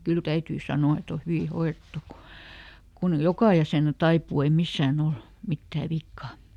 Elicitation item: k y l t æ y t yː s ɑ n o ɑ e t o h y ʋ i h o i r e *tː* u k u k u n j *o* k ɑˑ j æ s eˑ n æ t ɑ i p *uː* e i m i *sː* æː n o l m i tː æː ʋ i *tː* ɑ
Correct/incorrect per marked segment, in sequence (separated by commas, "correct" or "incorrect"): correct, correct, correct, correct, incorrect